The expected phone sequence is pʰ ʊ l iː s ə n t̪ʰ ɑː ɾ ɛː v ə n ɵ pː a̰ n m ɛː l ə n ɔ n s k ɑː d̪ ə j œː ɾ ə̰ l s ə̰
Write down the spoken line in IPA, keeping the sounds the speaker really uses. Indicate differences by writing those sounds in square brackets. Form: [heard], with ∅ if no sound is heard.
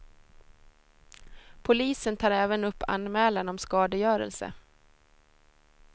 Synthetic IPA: pʰ ʊ l iː s ə n t̪ʰ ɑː ɾ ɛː v ə n ɵ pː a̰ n m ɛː l [a] n ɔ [m] s k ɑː d̪ ə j œː ɾ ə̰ l s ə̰